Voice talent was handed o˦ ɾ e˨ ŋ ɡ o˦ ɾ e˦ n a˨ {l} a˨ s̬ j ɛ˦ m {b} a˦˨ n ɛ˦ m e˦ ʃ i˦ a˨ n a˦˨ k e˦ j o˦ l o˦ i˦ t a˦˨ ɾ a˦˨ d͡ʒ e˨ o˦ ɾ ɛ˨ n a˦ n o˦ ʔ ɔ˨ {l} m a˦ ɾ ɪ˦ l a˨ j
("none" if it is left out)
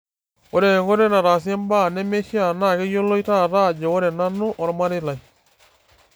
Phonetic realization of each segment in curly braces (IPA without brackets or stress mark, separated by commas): ɾ, b, ɾ